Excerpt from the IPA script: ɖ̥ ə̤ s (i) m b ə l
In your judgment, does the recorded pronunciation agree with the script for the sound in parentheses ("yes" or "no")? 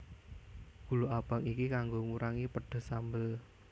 no